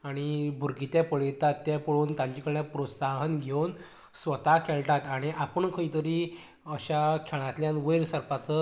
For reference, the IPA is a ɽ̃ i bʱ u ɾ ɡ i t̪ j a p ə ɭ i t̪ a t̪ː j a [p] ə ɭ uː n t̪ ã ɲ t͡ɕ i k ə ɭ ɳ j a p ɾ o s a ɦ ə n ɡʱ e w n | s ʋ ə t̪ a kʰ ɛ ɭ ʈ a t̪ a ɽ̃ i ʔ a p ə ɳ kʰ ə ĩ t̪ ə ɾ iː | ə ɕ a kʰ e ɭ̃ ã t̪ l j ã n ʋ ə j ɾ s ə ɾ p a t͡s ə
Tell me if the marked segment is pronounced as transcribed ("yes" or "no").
yes